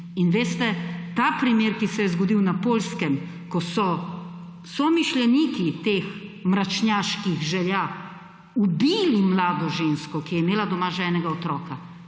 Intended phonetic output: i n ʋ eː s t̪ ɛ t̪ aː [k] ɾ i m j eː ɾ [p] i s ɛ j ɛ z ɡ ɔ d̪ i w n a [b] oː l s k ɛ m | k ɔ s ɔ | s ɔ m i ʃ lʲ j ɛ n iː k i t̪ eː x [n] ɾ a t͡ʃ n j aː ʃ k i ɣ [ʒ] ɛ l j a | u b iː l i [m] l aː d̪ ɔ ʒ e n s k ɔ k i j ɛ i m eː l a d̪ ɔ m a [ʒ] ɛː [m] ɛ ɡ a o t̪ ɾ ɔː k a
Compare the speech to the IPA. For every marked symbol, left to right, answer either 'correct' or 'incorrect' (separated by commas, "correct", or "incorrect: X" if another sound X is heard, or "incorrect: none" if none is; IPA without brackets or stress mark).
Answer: incorrect: p, incorrect: k, incorrect: p, incorrect: m, correct, correct, correct, incorrect: n